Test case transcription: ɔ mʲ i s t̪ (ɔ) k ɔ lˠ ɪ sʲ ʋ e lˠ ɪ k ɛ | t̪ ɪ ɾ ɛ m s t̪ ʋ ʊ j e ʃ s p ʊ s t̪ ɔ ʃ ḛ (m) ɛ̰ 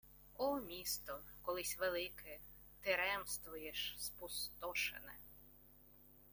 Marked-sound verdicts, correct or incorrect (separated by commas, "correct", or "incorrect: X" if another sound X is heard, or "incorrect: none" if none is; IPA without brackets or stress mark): correct, incorrect: n